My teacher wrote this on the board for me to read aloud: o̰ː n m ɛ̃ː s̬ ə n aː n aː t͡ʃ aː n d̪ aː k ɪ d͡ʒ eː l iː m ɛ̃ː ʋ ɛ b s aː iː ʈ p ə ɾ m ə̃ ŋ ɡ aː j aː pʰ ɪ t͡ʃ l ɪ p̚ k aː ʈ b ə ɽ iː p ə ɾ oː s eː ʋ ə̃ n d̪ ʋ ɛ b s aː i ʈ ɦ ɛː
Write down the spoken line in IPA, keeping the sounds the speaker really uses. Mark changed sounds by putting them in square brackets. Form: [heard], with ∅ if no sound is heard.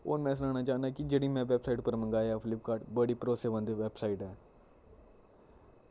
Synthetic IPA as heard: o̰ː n m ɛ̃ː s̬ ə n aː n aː t͡ʃ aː n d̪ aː k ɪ d͡ʒ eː [ɽ] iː m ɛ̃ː ʋ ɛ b s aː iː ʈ p ə ɾ m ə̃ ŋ ɡ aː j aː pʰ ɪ [∅] l ɪ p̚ k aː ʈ b ə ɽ iː p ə ɾ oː s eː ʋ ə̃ n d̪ ʋ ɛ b s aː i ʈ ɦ ɛː